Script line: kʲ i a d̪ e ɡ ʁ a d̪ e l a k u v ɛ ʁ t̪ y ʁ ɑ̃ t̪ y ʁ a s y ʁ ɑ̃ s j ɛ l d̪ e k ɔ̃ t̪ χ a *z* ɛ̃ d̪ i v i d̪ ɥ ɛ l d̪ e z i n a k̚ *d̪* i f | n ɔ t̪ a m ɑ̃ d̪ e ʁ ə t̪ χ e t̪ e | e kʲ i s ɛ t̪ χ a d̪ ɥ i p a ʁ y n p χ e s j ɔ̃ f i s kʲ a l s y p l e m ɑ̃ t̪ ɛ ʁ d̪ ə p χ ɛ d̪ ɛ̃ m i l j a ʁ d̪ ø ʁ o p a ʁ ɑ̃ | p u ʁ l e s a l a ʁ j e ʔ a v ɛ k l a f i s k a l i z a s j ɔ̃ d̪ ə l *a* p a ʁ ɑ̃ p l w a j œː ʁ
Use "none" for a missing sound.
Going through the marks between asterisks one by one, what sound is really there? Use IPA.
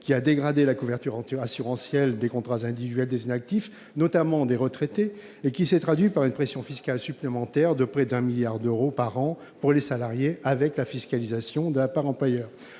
z, t̪, a

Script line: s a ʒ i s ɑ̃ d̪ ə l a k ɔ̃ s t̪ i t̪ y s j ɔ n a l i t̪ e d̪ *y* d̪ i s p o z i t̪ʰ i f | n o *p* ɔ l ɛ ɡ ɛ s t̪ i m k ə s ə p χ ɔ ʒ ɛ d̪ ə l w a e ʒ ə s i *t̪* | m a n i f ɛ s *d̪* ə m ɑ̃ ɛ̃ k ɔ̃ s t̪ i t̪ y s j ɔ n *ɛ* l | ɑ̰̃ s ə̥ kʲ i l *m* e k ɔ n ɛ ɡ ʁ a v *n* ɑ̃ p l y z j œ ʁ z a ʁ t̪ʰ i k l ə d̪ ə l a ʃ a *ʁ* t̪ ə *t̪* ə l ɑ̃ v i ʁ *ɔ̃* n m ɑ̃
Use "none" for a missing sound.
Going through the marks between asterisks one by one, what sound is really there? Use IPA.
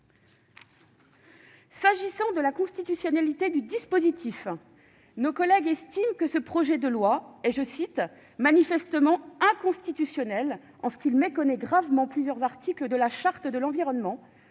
y, k, t̪, t̪, ɛ, m, m, ʁ, d̪, ɔ

